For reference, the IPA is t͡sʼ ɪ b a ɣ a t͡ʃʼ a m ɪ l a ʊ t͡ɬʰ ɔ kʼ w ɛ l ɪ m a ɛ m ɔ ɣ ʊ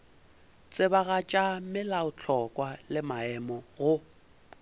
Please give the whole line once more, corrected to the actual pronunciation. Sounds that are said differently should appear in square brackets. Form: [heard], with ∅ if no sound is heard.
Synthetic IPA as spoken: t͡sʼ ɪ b a ɣ a t͡ʃʼ a m ɪ l a ʊ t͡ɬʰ ɔ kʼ w [a] l ɪ m a ɛ m ɔ ɣ ʊ